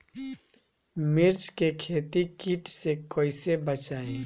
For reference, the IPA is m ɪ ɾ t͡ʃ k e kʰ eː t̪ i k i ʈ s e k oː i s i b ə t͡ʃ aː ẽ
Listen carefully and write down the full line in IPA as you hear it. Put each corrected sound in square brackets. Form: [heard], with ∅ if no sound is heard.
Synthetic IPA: m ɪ ɾ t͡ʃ k e kʰ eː t̪ i k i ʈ s e k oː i s [e] b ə t͡ʃ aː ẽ